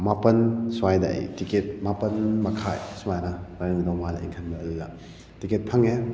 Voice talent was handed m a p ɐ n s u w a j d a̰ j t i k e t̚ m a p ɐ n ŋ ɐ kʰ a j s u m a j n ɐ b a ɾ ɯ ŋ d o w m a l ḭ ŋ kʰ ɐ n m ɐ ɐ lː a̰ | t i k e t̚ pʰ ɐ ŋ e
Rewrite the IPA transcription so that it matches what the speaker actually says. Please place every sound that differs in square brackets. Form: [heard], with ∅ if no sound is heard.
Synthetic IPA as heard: m a p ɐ n s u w a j d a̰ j t i k e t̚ m a p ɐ n [m] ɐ kʰ a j s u m a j n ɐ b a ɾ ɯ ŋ d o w m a l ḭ ŋ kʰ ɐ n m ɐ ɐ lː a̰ | t i k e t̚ pʰ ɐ ŋ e

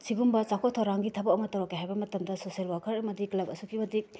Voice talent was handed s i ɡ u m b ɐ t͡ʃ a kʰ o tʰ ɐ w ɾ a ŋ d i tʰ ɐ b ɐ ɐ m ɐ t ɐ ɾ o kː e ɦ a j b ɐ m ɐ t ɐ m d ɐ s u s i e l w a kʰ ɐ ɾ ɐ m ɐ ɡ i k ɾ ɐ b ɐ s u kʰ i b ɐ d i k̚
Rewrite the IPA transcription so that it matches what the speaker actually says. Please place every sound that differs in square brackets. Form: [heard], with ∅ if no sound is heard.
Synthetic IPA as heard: s i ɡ u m b ɐ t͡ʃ a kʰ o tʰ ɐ w ɾ a ŋ [ɡ] i tʰ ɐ b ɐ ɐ m ɐ t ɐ ɾ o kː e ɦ a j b ɐ m ɐ t ɐ m d ɐ s [o] s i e l w a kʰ ɐ ɾ ɐ m ɐ [d] i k [l] ɐ b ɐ s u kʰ i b ɐ d i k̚

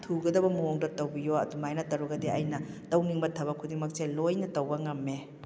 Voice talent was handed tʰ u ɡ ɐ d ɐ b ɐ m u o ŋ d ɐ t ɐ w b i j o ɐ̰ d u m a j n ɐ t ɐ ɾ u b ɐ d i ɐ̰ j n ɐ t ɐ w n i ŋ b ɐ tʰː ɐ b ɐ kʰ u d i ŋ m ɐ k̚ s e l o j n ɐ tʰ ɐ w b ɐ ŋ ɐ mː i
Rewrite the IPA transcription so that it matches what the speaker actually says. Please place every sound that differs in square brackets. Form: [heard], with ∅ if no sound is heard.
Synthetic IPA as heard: tʰ u ɡ ɐ d ɐ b ɐ m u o ŋ d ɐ t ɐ w b i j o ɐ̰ d u m a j n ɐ t ɐ ɾ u [ɡ] ɐ d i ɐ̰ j n ɐ t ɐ w n i ŋ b ɐ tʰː ɐ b ɐ kʰ u d i ŋ m ɐ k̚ s e l o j n ɐ [t] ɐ w b ɐ ŋ ɐ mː [e]

